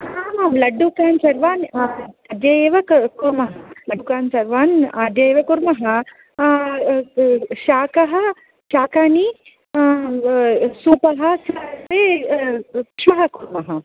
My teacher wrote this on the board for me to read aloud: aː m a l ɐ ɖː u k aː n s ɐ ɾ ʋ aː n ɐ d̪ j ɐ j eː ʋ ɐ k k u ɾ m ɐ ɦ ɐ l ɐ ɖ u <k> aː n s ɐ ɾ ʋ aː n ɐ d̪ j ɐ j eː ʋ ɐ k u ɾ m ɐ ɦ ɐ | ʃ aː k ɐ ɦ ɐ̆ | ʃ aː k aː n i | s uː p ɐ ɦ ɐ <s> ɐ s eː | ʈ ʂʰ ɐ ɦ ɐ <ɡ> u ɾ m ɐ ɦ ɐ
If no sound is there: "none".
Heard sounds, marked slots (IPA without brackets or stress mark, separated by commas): k, s, k